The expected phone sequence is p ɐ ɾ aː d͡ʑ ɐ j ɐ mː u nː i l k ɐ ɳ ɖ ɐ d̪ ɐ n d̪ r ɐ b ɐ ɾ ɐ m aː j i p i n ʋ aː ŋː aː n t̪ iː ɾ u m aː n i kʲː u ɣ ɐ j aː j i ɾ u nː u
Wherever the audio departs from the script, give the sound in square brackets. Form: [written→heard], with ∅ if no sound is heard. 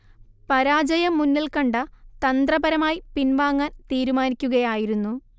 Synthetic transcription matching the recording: p ɐ ɾ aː d͡ʑ ɐ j ɐ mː u nː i l k ɐ ɳ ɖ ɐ [d̪→t̪] ɐ n d̪ r ɐ b ɐ ɾ ɐ m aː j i p i n ʋ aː ŋː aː n t̪ iː ɾ u m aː n i kʲː u ɣ ɐ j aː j i ɾ u nː u